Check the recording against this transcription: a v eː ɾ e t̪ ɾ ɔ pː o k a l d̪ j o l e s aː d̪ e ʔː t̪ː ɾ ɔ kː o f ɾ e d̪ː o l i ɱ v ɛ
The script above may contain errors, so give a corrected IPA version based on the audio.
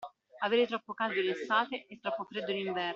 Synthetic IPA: a v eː ɾ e t̪ ɾ ɔ pː o k a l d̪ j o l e s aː t̪ e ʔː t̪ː ɾ ɔ pː o f ɾ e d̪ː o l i ɱ v ɛ